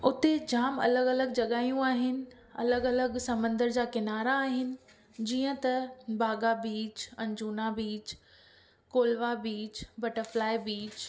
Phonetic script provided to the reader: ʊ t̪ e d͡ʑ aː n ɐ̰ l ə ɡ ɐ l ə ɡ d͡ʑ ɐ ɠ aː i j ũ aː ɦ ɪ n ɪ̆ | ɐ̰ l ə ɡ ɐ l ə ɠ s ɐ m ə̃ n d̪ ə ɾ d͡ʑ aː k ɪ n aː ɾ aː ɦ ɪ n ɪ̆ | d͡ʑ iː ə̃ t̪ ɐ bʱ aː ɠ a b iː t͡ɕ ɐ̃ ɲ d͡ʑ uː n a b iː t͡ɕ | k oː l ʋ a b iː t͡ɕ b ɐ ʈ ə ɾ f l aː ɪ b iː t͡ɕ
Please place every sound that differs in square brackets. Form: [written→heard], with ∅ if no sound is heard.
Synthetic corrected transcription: ʊ t̪ e d͡ʑ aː [n→m] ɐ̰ l ə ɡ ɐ l ə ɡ d͡ʑ ɐ ɠ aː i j ũ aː ɦ ɪ n ɪ̆ | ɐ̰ l ə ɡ ɐ l ə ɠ s ɐ m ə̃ n d̪ ə ɾ d͡ʑ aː k ɪ n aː ɾ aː ɦ ɪ n ɪ̆ | d͡ʑ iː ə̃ t̪ ɐ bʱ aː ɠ a b iː t͡ɕ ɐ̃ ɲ d͡ʑ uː n a b iː t͡ɕ | k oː l ʋ a b iː t͡ɕ b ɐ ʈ ə ɾ f l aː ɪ b iː t͡ɕ